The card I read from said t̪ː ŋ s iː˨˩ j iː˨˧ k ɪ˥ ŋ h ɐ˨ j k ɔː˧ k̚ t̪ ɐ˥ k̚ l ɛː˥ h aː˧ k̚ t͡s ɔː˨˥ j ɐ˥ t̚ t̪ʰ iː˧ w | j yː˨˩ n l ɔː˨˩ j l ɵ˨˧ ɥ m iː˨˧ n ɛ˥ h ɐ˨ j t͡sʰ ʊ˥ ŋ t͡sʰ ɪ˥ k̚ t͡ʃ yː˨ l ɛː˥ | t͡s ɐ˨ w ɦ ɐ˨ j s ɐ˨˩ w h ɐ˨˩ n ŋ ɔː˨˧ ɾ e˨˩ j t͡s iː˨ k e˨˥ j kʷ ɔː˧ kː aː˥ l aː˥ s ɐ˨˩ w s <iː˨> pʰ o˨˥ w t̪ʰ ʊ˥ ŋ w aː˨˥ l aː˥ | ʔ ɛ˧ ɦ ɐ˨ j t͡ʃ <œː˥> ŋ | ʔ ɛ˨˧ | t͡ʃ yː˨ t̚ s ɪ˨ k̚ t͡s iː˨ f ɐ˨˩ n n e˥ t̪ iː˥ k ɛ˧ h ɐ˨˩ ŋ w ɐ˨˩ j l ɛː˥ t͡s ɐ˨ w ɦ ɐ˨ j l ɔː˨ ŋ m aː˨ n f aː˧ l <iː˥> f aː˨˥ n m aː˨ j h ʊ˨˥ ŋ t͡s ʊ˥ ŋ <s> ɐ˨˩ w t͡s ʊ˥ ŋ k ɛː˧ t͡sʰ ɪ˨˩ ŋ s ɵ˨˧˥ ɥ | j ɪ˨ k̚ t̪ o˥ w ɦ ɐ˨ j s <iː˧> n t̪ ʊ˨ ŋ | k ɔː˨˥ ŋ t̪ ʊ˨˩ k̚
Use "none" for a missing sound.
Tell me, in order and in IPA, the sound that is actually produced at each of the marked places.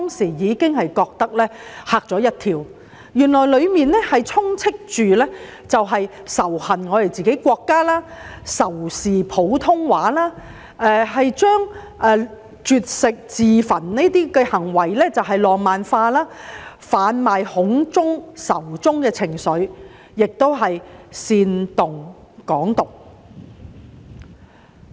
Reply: iː˨, œː˥, aː˥, s, iː˧

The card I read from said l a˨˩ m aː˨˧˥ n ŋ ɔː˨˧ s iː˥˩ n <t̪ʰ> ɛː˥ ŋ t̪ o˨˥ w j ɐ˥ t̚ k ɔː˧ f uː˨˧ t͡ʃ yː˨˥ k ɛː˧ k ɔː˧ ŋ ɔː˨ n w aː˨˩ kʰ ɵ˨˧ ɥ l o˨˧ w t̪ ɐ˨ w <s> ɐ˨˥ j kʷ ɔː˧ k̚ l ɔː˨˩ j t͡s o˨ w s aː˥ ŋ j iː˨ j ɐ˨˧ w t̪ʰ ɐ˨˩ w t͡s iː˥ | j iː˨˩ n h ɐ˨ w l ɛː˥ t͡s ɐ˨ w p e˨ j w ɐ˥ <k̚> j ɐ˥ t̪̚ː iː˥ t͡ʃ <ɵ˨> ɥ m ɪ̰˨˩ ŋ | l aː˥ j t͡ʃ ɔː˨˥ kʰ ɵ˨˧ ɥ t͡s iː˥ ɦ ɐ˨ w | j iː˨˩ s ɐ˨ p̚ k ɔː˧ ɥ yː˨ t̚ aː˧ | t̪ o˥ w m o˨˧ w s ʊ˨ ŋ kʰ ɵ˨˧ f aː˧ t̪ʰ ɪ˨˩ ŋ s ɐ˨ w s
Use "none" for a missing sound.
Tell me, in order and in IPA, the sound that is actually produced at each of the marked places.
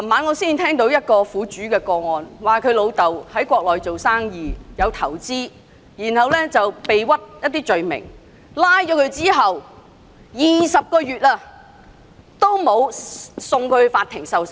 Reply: t̪ʰ, h, t̚, ɵ˨

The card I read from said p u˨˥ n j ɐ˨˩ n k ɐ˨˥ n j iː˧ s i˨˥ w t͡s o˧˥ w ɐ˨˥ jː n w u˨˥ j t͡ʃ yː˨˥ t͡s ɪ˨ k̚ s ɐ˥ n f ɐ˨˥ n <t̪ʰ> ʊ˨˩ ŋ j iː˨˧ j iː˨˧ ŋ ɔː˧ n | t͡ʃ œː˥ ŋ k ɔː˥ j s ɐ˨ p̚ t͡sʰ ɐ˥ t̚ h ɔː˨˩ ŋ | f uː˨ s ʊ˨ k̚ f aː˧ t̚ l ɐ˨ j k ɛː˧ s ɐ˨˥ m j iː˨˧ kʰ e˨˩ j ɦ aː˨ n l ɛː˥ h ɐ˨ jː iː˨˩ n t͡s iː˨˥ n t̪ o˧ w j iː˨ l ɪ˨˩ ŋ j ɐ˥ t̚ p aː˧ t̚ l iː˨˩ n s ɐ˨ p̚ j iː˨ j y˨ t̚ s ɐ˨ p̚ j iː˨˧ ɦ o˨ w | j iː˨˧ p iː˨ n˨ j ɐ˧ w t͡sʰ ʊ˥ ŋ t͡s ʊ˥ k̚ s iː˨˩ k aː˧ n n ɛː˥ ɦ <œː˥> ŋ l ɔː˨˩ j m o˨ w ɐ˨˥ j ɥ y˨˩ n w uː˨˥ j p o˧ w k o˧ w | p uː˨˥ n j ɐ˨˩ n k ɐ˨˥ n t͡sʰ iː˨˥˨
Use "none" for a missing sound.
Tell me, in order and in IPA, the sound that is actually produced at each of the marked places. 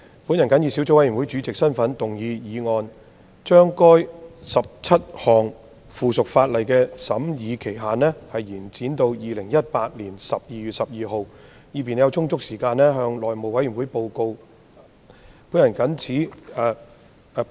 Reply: t̪, œː˧

